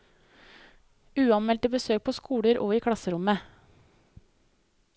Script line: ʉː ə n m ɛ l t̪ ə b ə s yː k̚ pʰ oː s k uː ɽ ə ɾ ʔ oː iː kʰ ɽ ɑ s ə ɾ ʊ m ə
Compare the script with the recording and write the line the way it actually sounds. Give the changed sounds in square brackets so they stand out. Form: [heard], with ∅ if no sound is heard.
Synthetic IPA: ʉː [ɑ] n m ɛ l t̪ ə b ə s [øː] k̚ pʰ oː s k uː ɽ ə ɾ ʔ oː iː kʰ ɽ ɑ s ə ɾ ʊ m ə

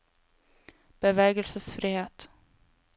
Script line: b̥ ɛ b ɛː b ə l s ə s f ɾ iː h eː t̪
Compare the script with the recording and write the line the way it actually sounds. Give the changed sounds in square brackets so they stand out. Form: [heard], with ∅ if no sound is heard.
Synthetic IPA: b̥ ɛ [v] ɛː [ɡ] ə l s ə s f ɾ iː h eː t̪

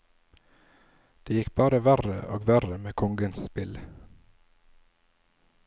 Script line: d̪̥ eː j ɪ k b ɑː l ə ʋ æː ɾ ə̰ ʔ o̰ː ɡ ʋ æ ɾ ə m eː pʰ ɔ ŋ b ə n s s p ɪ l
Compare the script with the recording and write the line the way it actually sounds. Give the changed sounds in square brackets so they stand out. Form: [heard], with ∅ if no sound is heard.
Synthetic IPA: d̪̥ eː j ɪ k b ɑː [ɾ] ə ʋ [æ] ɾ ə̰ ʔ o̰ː ɡ ʋ æ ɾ ə m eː [kʰ] ɔ ŋ [ɡ] ə n s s p ɪ l

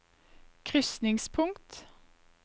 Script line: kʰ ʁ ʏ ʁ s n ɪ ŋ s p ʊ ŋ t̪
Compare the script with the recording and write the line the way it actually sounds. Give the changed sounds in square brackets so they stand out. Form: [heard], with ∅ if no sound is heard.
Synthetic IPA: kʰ ʁ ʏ [∅] s n ɪ ŋ s [pʰ] ʊ ŋ t̪

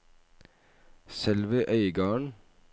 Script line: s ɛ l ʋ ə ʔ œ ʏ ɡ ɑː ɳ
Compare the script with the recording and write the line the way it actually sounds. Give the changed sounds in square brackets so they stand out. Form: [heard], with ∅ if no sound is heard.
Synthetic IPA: s ɛ l ʋ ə ʔ œ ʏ ɡ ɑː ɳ

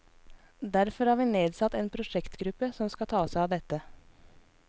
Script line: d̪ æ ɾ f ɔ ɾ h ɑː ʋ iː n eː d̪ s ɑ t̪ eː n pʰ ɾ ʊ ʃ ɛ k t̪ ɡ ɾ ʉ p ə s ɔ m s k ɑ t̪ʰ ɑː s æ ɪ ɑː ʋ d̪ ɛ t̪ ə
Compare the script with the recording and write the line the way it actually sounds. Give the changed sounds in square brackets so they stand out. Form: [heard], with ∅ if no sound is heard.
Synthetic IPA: d̪ æ ɾ f ɔ ɾ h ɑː ʋ iː n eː d̪ s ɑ t̪ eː n pʰ ɾ ʊ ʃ ɛ k t̪ ɡ ɾ ʉ p ə s ɔ m s k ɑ t̪ʰ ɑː s æ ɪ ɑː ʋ d̪ ɛ t̪ ə

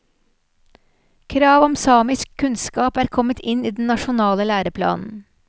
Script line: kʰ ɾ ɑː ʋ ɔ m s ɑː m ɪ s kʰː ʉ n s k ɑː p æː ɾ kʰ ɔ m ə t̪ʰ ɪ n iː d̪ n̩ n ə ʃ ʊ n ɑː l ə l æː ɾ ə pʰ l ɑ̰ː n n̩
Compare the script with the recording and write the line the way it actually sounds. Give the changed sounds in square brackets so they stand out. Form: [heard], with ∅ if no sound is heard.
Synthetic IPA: kʰ ɾ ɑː ʋ ɔ m s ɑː m ɪ s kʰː ʉ n s k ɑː p æː ɾ kʰ ɔ m ə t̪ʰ ɪ n iː d̪ n̩ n [ɑ] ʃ ʊ n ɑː l ə l æː ɾ ə pʰ l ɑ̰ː n n̩

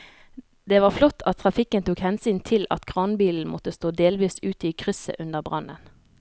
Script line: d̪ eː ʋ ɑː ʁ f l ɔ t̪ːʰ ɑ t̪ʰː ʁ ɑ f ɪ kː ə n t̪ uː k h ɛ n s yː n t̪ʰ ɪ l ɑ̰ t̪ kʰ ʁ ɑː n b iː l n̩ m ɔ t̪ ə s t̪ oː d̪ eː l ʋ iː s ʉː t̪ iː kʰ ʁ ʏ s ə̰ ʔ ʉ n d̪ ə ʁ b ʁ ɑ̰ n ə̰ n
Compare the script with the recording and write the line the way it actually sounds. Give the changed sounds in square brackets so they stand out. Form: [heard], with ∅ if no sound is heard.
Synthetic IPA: d̪ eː ʋ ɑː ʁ f l ɔ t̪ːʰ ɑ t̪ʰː ʁ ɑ f ɪ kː ə n t̪ uː k h ɛ n s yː n t̪ʰ ɪ l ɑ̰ t̪ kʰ ʁ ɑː n b iː l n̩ m ɔ t̪ ə s t̪ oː d̪ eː l ʋ iː s ʉː t̪ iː kʰ ʁ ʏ s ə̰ ʔ ʉ n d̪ ə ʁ b ʁ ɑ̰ n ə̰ n

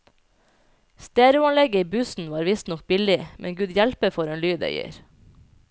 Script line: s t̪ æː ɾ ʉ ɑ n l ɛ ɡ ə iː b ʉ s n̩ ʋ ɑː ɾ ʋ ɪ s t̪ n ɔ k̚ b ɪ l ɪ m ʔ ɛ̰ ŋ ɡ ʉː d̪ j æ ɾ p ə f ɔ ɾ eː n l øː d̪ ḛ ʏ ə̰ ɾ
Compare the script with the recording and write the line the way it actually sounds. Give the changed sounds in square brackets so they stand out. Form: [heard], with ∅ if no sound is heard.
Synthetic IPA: s t̪ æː ɾ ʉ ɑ n l ɛ ɡ ə iː b ʉ s n̩ ʋ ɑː ɾ ʋ ɪ s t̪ n ɔ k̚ b ɪ l ɪ m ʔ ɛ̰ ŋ ɡ ʉː d̪ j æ [l] p ə f ɔ ɾ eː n l [yː] d̪ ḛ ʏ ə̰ ɾ

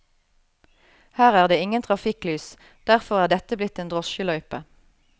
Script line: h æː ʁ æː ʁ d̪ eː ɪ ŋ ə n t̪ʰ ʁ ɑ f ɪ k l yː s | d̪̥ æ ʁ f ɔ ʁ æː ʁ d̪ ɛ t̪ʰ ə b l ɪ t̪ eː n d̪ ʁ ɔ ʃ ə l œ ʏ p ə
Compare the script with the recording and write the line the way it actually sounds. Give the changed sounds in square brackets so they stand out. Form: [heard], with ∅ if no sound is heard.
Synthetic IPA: h æː ʁ æː ʁ d̪ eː ɪ ŋ ə n t̪ʰ ʁ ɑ f ɪ k l yː s | d̪̥ æ ʁ f ɔ ʁ æː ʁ d̪ ɛ [t̪] ə b l ɪ t̪ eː n d̪ ʁ ɔ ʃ ə l œ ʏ p ə

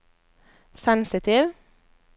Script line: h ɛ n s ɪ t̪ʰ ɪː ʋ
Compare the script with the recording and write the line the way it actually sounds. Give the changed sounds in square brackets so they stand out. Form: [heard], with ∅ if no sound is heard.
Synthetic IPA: [s] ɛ n s ɪ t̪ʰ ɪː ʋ

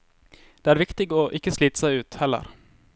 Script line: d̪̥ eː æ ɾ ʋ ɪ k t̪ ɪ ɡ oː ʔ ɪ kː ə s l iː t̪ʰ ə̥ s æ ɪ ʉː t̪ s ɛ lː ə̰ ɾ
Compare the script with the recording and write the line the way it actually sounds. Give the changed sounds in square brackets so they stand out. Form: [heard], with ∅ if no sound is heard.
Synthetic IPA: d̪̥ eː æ ɾ ʋ ɪ k t̪ ɪ ɡ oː ʔ ɪ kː ə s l iː [t̪] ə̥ s æ ɪ ʉː t̪ [h] ɛ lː ə̰ ɾ

